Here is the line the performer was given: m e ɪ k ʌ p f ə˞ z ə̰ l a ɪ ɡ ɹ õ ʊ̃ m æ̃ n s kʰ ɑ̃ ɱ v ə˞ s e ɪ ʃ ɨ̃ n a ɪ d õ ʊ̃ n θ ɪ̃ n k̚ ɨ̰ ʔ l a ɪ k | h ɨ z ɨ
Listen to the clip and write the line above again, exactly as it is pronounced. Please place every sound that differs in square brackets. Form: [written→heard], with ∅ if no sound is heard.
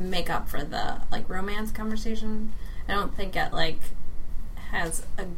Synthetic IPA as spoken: m e ɪ k ʌ p f ə˞ [z→ð] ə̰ l a ɪ [ɡ→k] ɹ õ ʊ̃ m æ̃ n s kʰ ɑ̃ ɱ v ə˞ s e ɪ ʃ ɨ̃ n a ɪ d õ ʊ̃ n θ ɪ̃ [n→ŋ] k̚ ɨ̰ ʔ l a ɪ k | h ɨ z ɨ